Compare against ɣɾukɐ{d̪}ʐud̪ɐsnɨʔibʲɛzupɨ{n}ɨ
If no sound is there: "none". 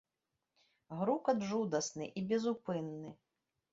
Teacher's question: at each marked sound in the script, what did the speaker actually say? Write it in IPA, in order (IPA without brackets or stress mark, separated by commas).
d̪, nː